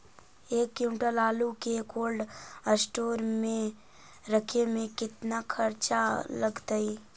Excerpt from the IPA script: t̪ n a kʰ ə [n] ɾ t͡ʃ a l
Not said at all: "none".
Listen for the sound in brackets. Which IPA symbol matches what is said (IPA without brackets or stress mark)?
none